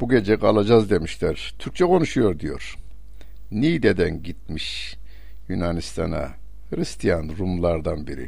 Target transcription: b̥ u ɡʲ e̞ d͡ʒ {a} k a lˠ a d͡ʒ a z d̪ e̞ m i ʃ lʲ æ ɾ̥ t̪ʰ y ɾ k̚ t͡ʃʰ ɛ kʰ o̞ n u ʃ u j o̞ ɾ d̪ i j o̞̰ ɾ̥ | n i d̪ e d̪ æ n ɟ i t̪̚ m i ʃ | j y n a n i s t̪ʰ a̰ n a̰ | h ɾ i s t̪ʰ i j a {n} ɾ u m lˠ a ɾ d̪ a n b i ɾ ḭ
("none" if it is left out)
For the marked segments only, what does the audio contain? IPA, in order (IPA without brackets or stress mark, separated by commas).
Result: ɛ, n